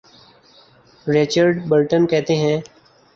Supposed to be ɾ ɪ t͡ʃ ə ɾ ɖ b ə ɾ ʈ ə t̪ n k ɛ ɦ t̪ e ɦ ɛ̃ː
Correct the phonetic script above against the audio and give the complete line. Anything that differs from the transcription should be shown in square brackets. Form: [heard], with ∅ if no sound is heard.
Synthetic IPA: ɾ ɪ t͡ʃ ə ɾ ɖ b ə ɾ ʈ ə [∅] n k ɛ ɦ t̪ e ɦ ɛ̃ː